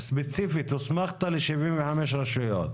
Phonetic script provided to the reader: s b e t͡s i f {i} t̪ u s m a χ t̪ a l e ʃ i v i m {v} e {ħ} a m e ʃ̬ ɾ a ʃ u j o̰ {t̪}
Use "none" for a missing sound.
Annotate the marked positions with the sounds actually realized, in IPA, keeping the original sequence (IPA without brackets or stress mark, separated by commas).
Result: i, v, ħ, t̪